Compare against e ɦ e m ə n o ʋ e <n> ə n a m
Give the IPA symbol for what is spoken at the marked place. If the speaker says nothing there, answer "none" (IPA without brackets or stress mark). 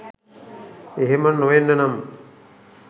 nː